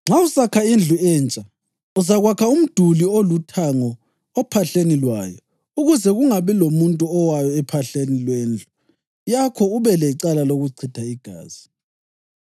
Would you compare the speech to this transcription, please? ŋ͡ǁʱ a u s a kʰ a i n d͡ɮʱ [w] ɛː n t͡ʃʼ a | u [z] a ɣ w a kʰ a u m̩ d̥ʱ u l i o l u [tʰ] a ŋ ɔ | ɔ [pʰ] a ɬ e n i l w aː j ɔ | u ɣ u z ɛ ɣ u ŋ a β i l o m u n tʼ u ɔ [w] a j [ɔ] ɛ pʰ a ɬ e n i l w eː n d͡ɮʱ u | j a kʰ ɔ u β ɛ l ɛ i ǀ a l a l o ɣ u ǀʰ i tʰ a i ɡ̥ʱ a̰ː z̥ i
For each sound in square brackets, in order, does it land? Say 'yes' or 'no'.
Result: no, yes, yes, yes, yes, yes

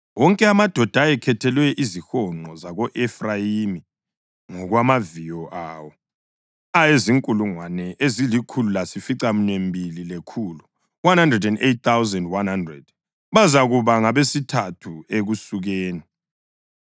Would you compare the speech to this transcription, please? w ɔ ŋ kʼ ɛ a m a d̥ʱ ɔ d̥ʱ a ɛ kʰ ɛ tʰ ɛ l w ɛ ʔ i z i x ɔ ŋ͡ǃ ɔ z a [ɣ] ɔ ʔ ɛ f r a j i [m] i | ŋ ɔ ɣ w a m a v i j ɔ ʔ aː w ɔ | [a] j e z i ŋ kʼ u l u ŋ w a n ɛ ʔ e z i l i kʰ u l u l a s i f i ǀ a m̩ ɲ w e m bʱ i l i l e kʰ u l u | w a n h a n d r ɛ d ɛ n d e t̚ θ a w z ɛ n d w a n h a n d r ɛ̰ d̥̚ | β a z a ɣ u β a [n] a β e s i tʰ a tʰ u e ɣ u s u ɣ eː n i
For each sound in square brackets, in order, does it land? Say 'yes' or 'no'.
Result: yes, yes, yes, no

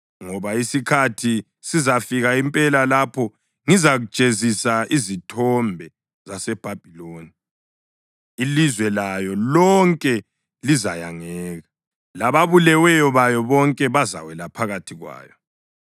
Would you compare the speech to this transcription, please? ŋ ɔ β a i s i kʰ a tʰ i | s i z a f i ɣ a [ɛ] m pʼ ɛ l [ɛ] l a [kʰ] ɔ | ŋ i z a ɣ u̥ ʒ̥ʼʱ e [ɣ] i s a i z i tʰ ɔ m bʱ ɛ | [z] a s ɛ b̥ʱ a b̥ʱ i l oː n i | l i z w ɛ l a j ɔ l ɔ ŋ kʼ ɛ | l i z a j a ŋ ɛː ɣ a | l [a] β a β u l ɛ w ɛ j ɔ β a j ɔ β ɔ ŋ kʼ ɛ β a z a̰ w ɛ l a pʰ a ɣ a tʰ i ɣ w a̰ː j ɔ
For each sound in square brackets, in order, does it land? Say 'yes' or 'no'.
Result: no, no, no, no, yes, yes

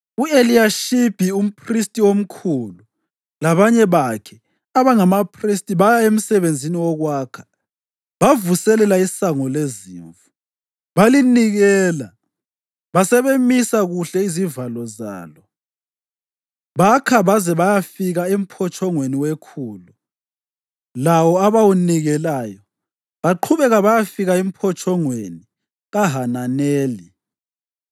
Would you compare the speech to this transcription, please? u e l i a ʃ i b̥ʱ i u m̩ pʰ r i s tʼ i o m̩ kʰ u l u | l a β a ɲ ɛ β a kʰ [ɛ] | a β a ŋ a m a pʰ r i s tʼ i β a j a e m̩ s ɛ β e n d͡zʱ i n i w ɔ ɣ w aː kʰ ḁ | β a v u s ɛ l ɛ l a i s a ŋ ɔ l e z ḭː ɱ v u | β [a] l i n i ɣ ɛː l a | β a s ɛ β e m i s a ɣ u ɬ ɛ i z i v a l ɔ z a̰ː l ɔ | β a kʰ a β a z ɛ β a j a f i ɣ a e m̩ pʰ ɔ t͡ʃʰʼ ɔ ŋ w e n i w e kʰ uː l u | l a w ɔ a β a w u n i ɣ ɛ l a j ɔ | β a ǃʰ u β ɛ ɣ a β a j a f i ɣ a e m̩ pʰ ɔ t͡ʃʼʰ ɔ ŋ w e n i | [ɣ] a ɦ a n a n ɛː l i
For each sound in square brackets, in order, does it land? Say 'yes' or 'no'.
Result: yes, yes, yes

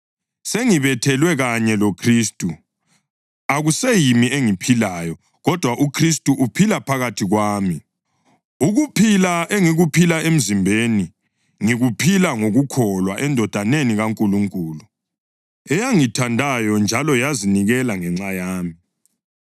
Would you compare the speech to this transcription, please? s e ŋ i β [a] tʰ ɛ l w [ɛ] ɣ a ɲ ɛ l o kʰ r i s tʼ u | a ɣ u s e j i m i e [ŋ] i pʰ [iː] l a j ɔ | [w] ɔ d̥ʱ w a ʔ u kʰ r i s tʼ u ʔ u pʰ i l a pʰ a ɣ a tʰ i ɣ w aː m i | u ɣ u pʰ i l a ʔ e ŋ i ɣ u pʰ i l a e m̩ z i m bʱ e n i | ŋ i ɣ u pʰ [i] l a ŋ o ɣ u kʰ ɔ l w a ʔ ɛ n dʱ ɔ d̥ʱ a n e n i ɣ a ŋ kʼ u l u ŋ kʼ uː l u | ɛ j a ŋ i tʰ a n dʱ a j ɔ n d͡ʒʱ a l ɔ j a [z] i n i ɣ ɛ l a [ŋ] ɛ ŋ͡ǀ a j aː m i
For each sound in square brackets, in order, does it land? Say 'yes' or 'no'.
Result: no, yes, yes, no, no, yes, yes, yes

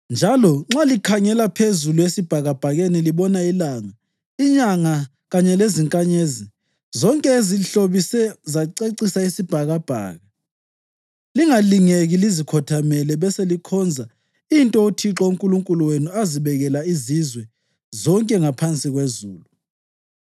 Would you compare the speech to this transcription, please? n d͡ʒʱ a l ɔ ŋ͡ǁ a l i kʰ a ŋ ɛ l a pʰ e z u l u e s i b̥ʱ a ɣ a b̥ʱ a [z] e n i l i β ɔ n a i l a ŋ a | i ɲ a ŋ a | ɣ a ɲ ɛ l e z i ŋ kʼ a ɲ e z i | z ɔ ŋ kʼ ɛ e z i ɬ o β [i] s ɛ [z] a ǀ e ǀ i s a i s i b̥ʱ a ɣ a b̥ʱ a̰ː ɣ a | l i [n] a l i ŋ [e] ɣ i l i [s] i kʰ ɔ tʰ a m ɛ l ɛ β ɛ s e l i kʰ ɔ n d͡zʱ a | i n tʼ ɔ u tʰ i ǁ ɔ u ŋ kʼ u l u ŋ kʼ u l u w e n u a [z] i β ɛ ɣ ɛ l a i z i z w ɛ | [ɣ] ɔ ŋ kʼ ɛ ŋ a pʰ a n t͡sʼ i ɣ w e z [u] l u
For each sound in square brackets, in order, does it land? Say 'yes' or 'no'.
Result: no, yes, yes, no, yes, no, yes, no, no

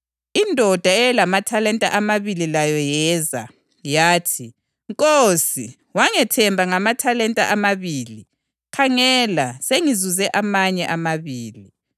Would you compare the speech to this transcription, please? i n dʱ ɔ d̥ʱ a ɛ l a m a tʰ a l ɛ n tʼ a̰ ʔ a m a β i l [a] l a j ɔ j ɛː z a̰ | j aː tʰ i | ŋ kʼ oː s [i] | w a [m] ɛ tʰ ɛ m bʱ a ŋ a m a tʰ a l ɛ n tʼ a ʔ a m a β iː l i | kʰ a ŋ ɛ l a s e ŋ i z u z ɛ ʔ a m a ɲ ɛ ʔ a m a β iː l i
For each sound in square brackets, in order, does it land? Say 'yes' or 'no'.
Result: no, yes, no

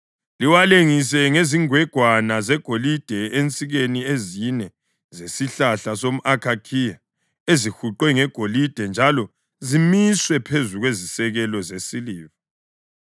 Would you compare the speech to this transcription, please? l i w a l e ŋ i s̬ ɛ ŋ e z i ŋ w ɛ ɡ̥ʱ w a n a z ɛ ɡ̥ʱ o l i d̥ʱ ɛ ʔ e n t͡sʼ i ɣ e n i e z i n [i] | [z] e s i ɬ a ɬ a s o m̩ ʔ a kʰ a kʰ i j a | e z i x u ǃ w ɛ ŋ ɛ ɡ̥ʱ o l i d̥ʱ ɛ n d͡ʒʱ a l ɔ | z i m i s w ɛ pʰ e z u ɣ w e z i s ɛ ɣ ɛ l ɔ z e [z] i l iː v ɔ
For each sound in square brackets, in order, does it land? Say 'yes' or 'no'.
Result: no, yes, no

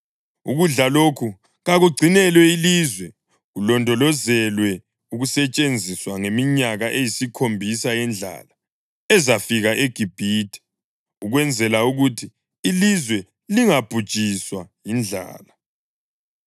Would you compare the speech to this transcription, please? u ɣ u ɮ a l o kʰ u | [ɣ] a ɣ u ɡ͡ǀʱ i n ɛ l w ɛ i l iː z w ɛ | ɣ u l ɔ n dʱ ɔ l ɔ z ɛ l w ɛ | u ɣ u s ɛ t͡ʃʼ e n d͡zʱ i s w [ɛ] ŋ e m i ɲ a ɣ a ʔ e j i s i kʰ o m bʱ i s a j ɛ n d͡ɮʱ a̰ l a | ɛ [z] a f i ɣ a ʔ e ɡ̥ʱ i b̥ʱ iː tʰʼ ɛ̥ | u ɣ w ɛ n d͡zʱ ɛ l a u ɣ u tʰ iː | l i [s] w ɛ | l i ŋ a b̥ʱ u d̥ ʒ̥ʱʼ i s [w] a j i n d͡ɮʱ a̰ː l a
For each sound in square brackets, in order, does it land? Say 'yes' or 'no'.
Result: yes, no, yes, no, yes

